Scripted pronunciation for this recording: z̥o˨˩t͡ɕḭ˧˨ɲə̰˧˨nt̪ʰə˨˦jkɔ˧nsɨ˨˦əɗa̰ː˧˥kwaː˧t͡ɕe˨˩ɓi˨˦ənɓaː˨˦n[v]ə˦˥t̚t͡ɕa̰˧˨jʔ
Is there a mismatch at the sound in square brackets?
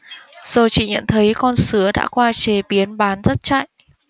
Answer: yes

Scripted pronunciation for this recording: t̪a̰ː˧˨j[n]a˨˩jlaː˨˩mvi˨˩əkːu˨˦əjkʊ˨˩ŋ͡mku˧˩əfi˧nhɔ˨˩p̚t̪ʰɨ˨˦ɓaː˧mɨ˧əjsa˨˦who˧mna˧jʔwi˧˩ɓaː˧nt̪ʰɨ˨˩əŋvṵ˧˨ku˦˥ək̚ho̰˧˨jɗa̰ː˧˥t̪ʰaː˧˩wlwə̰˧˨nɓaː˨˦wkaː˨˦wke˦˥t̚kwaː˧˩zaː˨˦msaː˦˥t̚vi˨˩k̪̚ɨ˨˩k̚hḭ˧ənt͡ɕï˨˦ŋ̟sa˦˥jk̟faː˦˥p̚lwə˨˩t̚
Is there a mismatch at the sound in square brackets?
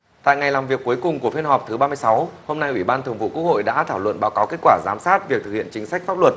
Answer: yes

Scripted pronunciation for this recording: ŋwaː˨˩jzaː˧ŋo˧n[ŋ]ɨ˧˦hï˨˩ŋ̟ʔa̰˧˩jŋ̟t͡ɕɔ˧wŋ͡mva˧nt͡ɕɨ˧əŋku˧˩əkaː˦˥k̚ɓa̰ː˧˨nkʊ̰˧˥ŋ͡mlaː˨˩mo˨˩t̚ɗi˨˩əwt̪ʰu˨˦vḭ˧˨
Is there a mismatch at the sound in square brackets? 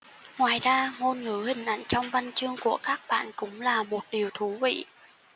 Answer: no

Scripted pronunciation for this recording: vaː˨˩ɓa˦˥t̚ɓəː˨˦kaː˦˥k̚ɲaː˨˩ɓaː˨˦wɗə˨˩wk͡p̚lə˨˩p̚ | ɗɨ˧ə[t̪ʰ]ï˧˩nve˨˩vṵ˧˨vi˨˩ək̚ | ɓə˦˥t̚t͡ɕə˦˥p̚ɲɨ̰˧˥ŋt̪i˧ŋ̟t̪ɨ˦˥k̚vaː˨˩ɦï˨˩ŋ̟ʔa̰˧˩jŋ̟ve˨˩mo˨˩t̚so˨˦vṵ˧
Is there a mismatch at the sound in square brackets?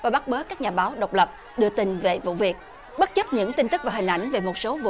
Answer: yes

